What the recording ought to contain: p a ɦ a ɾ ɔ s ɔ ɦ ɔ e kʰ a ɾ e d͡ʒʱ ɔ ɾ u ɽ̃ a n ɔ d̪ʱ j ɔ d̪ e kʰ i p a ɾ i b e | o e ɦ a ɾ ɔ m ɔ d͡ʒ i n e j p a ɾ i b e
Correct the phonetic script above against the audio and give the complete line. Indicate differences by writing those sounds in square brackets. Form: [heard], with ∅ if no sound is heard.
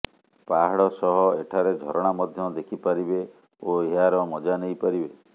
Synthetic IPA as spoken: p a ɦ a [ɽ] ɔ s ɔ ɦ ɔ e [ʈʰ] a ɾ e d͡ʒʱ ɔ ɾ [ɔ] ɽ̃ a [m] ɔ d̪ʱ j ɔ d̪ e kʰ i p a ɾ i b e | o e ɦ a ɾ ɔ m ɔ d͡ʒ [a] n e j p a ɾ i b e